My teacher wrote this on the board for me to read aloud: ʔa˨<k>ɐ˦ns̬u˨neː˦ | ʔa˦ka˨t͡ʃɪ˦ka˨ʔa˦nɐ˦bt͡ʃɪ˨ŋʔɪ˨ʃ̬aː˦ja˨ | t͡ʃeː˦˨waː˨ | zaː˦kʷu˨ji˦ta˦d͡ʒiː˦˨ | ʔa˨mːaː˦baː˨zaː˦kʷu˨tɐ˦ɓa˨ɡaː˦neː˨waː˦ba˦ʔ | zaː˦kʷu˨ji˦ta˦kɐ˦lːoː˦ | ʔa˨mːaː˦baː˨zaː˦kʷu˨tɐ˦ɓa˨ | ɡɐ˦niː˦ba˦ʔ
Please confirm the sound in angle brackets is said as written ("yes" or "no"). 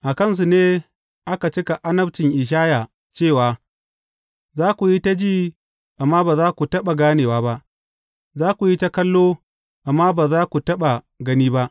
yes